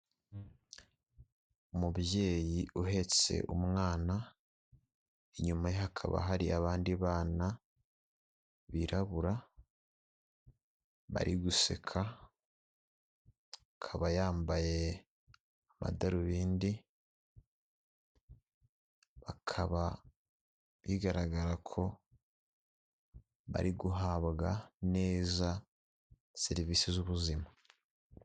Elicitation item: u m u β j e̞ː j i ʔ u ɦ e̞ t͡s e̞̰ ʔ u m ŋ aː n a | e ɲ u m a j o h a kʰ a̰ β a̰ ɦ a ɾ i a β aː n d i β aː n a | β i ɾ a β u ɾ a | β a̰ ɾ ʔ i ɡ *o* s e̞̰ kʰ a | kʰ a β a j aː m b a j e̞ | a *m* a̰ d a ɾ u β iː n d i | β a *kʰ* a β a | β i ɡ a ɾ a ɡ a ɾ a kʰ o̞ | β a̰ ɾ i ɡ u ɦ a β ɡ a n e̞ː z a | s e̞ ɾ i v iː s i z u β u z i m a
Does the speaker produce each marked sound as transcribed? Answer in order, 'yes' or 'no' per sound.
no, yes, yes

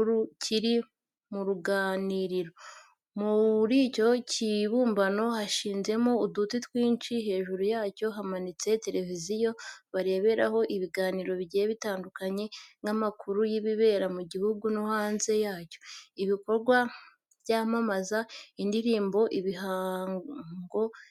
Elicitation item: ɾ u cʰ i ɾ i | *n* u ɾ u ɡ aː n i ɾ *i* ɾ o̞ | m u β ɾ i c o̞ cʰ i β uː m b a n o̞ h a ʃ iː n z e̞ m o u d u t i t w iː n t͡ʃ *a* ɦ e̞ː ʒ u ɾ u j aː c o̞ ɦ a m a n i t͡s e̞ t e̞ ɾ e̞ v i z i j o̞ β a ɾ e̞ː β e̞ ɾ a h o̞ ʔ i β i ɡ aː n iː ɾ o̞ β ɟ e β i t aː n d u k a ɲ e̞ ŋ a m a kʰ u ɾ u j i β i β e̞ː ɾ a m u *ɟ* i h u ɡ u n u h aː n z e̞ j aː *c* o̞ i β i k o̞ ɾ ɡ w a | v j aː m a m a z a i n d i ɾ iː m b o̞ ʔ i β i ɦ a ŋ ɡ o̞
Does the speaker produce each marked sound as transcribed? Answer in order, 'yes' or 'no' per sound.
no, yes, no, yes, yes

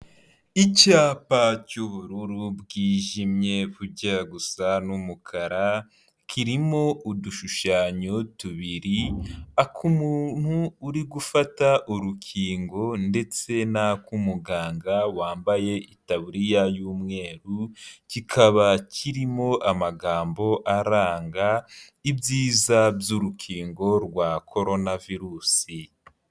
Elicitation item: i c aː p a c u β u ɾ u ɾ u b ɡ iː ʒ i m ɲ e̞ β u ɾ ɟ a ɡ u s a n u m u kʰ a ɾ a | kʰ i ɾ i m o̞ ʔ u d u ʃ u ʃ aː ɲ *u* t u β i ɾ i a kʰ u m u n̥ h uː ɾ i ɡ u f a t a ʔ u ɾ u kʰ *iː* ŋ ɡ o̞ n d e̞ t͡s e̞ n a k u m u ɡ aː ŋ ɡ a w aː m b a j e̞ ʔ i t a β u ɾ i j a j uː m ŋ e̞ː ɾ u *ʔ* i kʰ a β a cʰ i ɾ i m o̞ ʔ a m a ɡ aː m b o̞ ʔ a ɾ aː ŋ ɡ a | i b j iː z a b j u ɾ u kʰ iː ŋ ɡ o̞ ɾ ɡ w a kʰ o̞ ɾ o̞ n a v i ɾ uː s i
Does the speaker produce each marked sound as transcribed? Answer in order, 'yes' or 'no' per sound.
no, yes, no

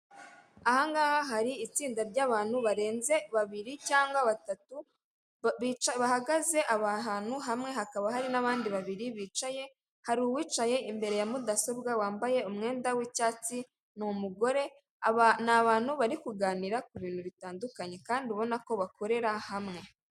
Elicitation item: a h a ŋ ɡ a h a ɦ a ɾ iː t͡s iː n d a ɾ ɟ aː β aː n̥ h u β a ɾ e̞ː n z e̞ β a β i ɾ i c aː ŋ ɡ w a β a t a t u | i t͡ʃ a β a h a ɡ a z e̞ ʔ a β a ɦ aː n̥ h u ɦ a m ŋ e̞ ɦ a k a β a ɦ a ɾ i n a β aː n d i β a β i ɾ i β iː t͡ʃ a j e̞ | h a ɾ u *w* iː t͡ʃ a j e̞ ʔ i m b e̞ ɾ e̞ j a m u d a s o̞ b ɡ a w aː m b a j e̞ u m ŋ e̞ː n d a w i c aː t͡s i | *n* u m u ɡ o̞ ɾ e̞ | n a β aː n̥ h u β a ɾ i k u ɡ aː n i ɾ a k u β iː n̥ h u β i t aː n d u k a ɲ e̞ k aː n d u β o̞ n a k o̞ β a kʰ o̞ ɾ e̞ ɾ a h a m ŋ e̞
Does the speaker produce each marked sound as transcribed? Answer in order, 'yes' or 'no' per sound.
yes, yes

